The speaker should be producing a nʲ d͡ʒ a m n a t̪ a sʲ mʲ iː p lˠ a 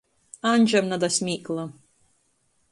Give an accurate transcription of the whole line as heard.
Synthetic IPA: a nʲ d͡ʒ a m n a d̪ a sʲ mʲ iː k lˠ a

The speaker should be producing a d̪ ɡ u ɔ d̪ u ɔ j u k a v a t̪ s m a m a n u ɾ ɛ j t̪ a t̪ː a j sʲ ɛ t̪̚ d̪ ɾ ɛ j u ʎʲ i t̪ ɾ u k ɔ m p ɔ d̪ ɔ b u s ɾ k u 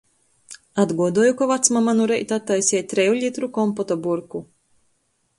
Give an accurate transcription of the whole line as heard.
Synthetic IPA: a d̪ ɡ u ɔ d̪ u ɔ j u k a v a t̪ s m a m a n u ɾ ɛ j t̪ a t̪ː a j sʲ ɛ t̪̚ t̪ ɾ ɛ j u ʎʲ i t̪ ɾ u k ɔ m p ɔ t̪ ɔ b u ɾ k u

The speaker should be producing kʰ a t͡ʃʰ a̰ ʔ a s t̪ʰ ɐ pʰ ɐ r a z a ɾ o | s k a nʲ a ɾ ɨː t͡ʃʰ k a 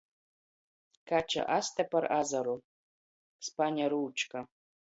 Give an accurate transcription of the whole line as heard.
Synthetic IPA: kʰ a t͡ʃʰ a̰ ʔ a s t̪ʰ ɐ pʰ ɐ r a z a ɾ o | s p a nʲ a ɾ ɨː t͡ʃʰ k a

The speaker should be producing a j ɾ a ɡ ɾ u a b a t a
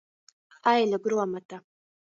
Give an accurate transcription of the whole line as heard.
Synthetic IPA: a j l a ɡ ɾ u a m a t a

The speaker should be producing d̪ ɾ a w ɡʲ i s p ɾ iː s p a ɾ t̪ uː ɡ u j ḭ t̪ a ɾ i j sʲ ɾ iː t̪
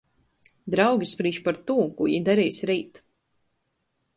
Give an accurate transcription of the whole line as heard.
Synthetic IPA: d̪ ɾ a w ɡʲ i s p ɾ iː ʃ p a ɾ t̪ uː k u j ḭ d̪ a ɾ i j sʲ ɾ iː t̪

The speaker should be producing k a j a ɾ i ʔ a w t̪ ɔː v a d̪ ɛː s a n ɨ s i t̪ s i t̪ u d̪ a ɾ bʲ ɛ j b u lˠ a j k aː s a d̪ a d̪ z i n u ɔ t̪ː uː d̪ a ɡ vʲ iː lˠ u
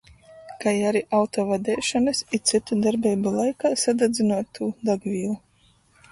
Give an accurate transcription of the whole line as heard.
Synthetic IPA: k a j a ɾ i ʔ a w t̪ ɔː v a d̪ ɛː ʃ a n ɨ s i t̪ s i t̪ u d̪ a ɾ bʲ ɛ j b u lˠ a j k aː s a d̪ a d̪ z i n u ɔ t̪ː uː d̪ a ɡ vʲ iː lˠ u

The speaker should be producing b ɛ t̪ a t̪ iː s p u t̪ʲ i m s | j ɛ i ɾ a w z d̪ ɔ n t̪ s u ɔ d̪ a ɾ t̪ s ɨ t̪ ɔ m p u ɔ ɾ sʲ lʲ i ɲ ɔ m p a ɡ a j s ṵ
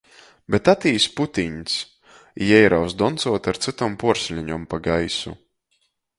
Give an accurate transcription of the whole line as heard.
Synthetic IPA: b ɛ t̪ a t̪ iː s p u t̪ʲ i ɲ s | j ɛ j ɾ a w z d̪ ɔ n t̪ s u ɔ t̪ a ɾ t̪ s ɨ t̪ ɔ m p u ɔ ɾ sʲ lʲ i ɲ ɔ m p a ɡ a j s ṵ

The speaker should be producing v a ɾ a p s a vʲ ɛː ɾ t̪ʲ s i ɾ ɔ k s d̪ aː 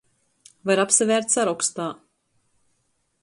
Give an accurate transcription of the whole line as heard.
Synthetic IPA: v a ɾ a p s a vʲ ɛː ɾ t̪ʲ s a ɾ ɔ k s t̪ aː

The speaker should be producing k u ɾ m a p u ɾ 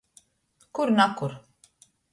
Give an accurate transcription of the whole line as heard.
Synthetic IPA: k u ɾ n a k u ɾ

